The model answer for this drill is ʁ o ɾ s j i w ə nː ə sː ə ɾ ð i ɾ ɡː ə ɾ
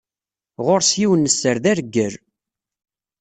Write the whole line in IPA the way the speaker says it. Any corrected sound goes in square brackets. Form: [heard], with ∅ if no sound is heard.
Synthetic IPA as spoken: ʁ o ɾ s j i w ə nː ə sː ə ɾ ð [æ] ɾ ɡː ə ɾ